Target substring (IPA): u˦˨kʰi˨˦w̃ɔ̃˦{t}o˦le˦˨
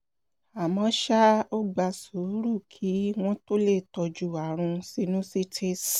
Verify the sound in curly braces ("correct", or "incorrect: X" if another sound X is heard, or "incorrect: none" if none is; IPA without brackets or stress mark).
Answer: correct